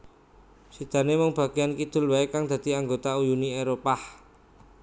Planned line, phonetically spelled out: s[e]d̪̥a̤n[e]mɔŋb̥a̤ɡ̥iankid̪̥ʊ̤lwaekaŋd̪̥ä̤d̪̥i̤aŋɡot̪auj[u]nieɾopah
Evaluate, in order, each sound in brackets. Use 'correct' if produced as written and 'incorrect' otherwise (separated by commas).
incorrect, correct, correct